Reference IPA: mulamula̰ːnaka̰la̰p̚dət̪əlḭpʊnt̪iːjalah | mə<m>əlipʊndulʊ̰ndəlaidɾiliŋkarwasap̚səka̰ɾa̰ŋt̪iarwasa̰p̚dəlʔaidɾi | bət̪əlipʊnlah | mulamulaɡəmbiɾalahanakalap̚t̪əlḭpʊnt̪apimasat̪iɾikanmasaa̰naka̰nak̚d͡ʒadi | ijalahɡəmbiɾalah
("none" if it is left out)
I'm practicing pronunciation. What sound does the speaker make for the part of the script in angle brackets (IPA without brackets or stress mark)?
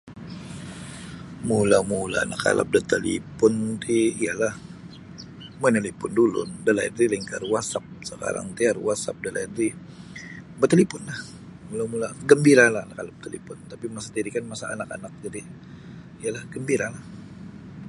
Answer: n